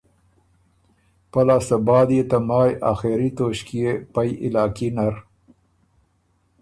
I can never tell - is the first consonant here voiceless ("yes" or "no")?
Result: yes